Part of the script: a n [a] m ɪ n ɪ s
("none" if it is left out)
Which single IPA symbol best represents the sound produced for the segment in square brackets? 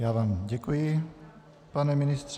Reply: ɛ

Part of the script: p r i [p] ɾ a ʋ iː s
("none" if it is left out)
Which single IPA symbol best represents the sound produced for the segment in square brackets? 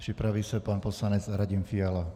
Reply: p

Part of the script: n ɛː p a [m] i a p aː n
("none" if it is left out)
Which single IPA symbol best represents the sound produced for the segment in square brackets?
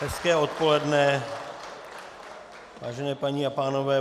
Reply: ɲ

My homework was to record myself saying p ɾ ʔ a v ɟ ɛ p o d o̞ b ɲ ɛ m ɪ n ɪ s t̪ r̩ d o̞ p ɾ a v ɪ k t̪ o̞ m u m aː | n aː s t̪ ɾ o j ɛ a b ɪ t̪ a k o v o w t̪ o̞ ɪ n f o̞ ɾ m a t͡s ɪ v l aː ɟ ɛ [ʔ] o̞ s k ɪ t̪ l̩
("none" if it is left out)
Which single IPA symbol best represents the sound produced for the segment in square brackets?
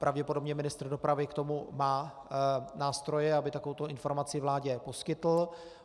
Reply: p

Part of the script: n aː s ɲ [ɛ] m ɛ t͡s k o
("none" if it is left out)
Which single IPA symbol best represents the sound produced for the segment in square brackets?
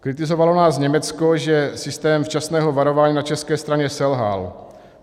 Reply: ɛ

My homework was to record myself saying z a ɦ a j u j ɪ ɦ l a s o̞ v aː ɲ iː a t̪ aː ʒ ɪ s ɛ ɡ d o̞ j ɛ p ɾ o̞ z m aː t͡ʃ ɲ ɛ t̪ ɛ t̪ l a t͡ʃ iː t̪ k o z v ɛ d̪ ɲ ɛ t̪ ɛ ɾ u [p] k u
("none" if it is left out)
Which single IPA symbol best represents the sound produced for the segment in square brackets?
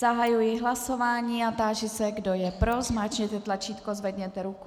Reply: none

